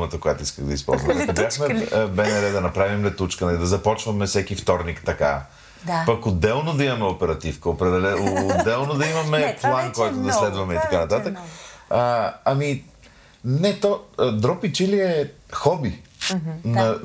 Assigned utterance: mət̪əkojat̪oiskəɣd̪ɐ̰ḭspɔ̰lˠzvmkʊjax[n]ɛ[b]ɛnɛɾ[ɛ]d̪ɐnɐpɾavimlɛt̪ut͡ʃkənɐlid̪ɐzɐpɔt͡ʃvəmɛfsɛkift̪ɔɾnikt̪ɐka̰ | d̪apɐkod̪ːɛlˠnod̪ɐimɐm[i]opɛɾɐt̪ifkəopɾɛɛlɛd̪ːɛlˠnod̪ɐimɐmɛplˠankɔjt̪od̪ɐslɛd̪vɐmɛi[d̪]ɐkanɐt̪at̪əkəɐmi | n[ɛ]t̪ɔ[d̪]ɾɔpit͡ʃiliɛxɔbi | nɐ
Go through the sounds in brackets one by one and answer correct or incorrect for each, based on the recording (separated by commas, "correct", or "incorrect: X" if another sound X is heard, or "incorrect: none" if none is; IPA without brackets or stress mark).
incorrect: m, correct, correct, incorrect: ɛ, incorrect: t̪, correct, correct